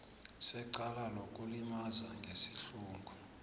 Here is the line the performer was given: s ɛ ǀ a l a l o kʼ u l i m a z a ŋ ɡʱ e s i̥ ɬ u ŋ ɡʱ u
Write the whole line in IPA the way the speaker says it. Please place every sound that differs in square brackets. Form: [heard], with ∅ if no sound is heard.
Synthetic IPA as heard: s ɛ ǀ a l a l o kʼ u l i m a z a ŋ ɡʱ e s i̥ ɬ [uː] ŋ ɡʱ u